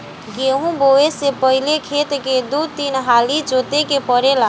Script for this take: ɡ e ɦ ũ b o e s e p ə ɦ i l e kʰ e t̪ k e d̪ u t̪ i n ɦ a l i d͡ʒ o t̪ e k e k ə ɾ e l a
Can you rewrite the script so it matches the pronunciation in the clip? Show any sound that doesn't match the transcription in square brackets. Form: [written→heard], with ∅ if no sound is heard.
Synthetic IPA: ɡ e ɦ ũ b o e s e p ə ɦ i l e kʰ e t̪ k e d̪ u t̪ i n ɦ a l i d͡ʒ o t̪ e k e [k→p] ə ɾ e l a